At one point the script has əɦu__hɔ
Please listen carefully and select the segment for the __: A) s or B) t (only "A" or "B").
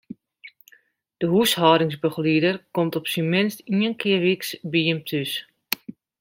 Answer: A